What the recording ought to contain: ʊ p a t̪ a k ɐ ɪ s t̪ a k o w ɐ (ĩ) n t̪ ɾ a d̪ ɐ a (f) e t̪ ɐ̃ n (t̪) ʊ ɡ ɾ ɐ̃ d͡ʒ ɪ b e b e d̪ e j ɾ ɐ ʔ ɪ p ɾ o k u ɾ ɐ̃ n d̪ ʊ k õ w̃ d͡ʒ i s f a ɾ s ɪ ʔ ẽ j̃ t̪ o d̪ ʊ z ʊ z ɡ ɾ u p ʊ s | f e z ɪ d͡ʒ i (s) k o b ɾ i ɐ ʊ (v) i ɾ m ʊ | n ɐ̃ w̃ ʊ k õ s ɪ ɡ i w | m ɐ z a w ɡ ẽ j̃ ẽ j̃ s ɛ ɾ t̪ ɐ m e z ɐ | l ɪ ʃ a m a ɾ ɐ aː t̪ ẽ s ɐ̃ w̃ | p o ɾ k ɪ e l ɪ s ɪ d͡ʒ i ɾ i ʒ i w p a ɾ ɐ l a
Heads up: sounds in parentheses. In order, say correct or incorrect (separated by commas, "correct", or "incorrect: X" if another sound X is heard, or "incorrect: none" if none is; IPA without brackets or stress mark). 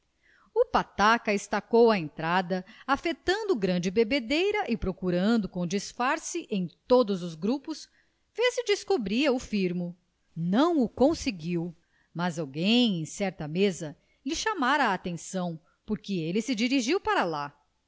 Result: incorrect: ẽ, correct, incorrect: d̪, correct, incorrect: f